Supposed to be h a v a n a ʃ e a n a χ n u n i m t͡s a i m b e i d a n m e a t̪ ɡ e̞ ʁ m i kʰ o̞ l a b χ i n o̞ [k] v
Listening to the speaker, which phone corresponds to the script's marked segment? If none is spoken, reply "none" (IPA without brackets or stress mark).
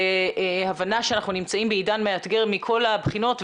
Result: t